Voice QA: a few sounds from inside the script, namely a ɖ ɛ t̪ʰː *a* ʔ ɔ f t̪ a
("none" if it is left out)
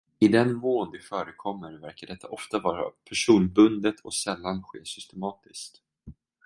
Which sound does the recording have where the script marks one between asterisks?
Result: a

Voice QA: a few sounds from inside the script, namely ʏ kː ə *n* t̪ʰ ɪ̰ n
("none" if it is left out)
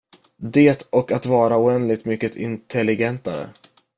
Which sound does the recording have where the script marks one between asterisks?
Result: none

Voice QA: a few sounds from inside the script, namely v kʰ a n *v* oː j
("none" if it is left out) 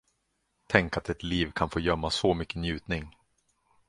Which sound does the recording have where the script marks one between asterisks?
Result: f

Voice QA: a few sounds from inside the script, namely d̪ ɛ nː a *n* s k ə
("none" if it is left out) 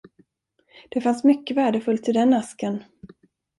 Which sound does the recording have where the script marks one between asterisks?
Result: none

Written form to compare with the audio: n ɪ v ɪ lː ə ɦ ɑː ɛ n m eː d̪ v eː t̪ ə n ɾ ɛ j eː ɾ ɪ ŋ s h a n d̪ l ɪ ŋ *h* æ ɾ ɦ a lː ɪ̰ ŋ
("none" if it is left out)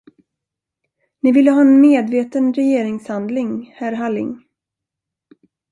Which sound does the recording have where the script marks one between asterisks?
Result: h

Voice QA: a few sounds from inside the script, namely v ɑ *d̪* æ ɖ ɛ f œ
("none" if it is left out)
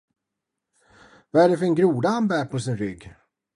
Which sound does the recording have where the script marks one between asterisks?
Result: none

